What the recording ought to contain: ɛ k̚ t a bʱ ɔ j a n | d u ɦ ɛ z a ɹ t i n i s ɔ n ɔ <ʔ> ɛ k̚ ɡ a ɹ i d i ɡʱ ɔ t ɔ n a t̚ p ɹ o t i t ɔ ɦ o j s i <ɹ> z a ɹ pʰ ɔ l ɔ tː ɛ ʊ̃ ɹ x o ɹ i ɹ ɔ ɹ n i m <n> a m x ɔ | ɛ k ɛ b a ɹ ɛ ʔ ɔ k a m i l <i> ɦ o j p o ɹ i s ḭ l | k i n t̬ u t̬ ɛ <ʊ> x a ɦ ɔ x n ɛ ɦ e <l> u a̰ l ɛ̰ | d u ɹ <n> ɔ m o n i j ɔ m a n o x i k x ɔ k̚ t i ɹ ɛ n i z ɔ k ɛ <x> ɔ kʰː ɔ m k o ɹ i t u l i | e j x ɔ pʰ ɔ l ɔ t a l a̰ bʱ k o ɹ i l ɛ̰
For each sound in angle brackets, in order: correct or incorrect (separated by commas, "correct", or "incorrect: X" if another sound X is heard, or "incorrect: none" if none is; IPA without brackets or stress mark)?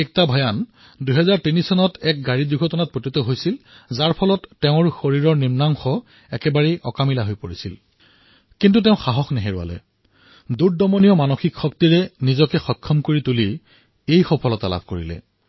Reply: incorrect: t, incorrect: l, correct, incorrect: a, incorrect: ʊ̃, incorrect: ɹ, incorrect: d, correct